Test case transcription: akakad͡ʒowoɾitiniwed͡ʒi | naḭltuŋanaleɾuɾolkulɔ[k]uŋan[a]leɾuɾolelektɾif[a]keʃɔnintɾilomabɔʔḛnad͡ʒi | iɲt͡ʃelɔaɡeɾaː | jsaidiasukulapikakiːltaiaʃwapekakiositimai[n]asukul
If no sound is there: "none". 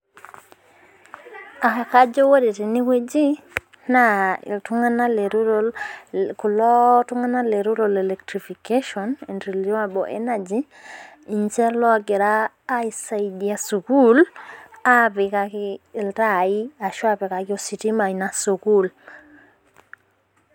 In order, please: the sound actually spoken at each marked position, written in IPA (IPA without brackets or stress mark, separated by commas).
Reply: t, a, i, n